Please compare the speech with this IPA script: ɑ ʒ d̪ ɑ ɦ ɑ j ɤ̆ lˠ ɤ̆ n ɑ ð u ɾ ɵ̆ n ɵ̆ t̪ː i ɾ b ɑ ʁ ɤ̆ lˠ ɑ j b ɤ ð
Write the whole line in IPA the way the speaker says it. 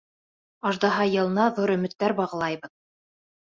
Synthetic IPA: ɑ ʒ d̪ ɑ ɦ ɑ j ɤ̆ lˠ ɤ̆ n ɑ ð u ɾ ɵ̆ m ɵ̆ t̪ː æ ɾ b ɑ ʁ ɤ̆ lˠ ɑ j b ɤ ð

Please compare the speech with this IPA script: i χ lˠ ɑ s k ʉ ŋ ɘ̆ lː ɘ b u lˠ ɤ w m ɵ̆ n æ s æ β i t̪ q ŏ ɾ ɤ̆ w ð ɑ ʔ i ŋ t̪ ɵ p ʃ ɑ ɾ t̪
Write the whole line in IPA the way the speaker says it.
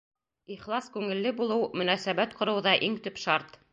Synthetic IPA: i χ lˠ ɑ s k ʉ ŋ ɘ̆ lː ɘ b u lˠ ɤ w m ɵ̆ n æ s æ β æ t̪ q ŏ ɾ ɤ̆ w ð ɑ ʔ i ŋ t̪ ɵ p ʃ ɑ ɾ t̪

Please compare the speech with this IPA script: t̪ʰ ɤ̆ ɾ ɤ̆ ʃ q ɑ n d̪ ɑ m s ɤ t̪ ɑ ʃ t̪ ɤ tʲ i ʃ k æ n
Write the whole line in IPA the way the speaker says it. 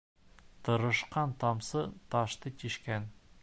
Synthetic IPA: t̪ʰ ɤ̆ ɾ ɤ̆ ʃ q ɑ n t̪ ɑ m s ɤ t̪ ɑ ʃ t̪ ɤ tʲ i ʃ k æ n

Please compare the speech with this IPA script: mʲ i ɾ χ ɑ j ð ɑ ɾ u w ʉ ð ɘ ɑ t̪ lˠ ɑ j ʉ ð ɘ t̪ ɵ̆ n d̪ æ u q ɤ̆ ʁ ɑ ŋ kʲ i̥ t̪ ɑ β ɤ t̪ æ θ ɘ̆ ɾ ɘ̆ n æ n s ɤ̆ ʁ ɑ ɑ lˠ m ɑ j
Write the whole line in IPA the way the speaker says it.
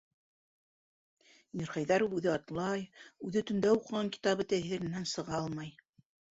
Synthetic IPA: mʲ i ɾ χ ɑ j ð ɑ ɾ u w ʉ ð ɘ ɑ t̪ lˠ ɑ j ʉ ð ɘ t̪ ɵ̆ n d̪ æ u q ɤ̆ ʁ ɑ ŋ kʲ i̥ t̪ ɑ β ɤ t̪ æ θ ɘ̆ ɾ ɘ̆ n æ n s ɤ̆ ʁ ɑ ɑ lˠ m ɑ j

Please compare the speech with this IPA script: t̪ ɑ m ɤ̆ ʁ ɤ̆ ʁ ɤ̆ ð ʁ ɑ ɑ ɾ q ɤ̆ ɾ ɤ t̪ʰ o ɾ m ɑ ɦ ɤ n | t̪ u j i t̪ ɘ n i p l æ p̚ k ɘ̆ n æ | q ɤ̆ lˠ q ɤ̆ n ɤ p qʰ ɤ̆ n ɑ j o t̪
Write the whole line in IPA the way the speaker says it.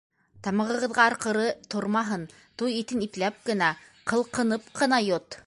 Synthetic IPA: t̪ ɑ m ɤ̆ ʁ ɤ̆ ʁ ɤ̆ ð ʁ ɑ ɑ ɾ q ɤ̆ ɾ ɤ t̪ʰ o ɾ m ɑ ɦ ɤ n | t̪ u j i t̪ ɘ n i p l æ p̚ k ɘ̆ n æ | q ɤ̆ lˠ q ɤ̆ n ɤ p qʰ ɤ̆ n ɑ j o t̪

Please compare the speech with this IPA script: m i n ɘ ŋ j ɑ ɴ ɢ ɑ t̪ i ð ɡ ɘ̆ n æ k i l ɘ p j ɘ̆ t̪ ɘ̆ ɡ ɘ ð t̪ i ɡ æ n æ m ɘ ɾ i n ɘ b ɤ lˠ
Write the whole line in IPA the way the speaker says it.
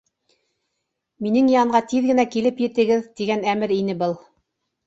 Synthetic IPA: m i n ɘ ŋ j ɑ ɴ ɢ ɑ t̪ i ð ɡ ɘ̆ n æ k i l ɘ p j ɘ̆ t̪ ɘ̆ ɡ ɘ ð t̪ i ɡ æ n æ m ɘ ɾ i n ɘ b ɤ lˠ

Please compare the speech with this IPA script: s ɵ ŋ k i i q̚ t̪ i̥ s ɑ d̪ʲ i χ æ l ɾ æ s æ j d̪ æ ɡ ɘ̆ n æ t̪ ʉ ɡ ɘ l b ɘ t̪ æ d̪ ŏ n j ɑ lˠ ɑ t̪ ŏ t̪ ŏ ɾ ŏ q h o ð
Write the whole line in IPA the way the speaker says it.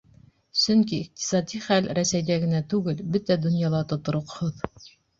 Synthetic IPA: s ɵ ŋ k i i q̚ t̪ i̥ s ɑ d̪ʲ i χ æ l ɾ æ s æ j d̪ æ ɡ ɘ̆ n æ t̪ ʉ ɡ ɘ l b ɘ t̪ æ d̪ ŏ n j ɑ lˠ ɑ t̪ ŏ t̪ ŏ ɾ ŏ q h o ð

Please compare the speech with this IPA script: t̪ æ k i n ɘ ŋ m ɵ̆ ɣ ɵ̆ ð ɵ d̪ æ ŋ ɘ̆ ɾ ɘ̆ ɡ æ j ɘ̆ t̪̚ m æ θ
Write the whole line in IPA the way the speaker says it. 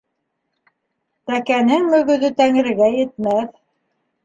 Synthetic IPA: t̪ æ k æ n ɘ ŋ m ɵ̆ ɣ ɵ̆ ð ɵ t̪ æ ŋ ɘ̆ ɾ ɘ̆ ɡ æ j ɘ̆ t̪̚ m æ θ

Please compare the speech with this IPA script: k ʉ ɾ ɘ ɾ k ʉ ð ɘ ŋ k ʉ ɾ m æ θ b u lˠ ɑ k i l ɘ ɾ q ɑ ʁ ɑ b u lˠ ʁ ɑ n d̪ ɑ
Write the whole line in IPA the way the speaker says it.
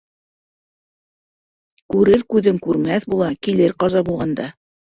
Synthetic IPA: k ʉ ɾ ɘ ɾ k ʉ ð ɘ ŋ k ʉ ɾ m æ θ b u lˠ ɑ k i l ɘ ɾ q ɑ z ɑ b u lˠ ʁ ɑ n d̪ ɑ

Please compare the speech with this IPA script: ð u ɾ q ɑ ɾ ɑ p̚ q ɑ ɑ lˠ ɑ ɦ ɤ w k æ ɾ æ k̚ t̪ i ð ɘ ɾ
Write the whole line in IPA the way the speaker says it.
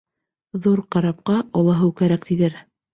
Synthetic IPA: ð u ɾ q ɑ ɾ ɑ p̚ q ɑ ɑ lˠ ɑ ɦ ɤ w k æ ɾ æ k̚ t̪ i ð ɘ ɾ

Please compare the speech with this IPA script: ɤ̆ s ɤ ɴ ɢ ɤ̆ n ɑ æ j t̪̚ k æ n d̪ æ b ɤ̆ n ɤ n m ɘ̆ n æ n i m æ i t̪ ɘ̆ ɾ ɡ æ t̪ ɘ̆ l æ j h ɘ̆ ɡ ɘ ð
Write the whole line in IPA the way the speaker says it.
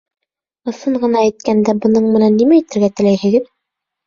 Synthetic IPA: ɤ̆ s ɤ ɴ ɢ ɤ̆ n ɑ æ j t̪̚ k æ n d̪ æ b ɤ̆ n ɤ ɴ m ɘ̆ n æ nː i m æ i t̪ ɘ̆ ɾ ɡ æ t̪ ɘ̆ l æ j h ɘ̆ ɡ ɘ ð

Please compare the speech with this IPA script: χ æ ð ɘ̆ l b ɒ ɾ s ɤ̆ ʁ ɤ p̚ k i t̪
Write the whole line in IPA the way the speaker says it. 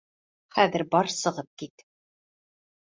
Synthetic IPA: χ æ ð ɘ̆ ɾ b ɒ ɾ s ɤ̆ ʁ ɤ p̚ k i t̪

